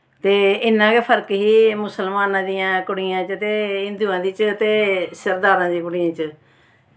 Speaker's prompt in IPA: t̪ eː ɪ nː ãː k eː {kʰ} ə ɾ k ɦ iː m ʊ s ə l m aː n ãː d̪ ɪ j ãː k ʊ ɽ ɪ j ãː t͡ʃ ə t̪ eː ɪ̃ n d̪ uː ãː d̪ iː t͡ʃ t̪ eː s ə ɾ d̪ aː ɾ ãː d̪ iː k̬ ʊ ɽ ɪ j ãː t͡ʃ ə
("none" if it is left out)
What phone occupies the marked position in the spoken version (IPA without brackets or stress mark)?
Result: pʰ